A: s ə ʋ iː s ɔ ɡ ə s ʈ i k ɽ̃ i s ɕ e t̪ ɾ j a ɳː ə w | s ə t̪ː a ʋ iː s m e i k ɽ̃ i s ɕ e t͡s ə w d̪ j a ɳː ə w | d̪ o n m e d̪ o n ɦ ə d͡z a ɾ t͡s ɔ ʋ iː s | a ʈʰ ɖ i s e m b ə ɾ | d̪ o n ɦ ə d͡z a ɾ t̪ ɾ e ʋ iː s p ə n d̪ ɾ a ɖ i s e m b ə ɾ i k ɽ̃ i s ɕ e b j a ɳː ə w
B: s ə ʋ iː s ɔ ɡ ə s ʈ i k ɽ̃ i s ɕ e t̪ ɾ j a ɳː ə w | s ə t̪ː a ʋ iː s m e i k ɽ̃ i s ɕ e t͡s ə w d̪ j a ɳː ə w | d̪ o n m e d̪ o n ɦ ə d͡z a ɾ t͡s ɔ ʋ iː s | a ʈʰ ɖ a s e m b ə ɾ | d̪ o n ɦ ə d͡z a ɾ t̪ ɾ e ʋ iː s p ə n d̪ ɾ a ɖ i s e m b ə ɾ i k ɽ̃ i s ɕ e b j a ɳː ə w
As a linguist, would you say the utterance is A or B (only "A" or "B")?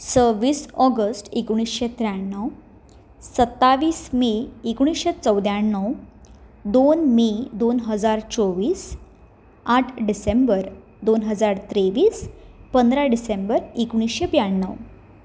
A